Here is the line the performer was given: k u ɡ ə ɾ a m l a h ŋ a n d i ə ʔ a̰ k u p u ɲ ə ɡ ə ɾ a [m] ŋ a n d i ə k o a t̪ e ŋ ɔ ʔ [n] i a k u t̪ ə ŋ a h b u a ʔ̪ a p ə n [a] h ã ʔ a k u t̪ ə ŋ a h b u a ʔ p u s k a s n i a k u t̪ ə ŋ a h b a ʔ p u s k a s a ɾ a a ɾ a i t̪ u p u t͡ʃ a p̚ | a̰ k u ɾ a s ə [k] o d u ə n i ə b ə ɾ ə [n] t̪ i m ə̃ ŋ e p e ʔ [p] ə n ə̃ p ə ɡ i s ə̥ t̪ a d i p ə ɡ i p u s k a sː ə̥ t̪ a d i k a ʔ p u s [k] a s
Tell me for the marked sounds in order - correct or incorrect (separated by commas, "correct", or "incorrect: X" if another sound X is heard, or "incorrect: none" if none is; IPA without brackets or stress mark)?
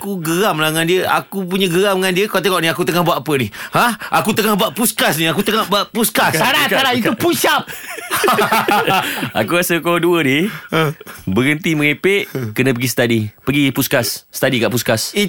correct, correct, incorrect: i, correct, correct, incorrect: k, correct